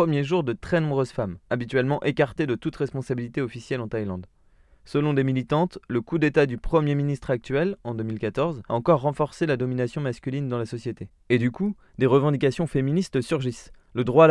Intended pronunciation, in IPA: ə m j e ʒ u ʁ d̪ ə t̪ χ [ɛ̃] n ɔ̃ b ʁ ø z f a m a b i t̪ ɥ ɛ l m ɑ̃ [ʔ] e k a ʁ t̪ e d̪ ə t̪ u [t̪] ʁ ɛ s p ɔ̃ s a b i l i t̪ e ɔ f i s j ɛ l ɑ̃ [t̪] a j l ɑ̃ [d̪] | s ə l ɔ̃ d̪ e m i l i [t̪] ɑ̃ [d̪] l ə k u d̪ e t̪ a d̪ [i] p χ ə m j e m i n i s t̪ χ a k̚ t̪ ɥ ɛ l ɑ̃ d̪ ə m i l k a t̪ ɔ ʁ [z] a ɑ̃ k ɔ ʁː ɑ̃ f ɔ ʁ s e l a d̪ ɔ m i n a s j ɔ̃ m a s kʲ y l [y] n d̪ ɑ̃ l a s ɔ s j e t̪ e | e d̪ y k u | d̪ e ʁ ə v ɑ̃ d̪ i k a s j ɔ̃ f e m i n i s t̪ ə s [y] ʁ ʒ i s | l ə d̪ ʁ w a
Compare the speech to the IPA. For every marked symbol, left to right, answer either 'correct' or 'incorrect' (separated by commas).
incorrect, correct, correct, correct, correct, correct, incorrect, incorrect, correct, incorrect, correct